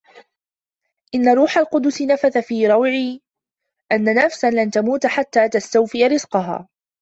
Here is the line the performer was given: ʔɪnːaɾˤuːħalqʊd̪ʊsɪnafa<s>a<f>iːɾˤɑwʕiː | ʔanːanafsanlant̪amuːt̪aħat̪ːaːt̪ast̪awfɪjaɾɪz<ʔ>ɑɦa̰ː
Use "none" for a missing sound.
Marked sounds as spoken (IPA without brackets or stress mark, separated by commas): θ, f, q